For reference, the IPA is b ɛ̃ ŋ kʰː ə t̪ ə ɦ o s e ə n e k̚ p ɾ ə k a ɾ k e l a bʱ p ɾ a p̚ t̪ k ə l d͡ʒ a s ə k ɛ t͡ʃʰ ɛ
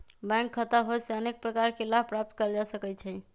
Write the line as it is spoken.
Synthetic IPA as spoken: b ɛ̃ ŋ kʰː ə t̪ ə ɦ o s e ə n e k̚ p ɾ ə k a ɾ k e l a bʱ p ɾ a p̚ t̪ k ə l d͡ʒ a s ə k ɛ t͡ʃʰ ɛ